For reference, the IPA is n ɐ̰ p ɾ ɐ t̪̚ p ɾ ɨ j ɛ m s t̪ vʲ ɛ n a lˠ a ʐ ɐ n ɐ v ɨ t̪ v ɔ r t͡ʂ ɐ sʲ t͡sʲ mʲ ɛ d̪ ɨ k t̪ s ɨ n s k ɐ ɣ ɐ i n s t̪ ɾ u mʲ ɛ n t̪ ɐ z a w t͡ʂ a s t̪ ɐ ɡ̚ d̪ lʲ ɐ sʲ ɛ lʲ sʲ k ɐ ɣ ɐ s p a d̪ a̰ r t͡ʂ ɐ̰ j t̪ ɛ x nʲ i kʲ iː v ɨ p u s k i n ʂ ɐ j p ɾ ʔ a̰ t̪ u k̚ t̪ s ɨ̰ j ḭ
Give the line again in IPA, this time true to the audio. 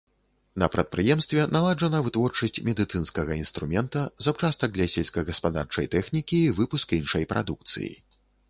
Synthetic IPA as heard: n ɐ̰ p ɾ ɐ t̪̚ p ɾ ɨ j ɛ m s t̪ vʲ ɛ n a lˠ a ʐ ɐ n ɐ v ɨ t̪ v ɔ r t͡ʂ ɐ sʲ t͡sʲ mʲ ɛ d̪ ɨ t̪ s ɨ n s k ɐ ɣ ɐ i n s t̪ ɾ u mʲ ɛ n t̪ ɐ z a w t͡ʂ a s t̪ ɐ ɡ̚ d̪ lʲ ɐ sʲ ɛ lʲ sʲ k ɐ ɣ ɐ s p a d̪ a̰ r t͡ʂ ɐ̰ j t̪ ɛ x nʲ i kʲ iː v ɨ p u s k i n ʂ ɐ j p ɾ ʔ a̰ d̪ u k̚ t̪ s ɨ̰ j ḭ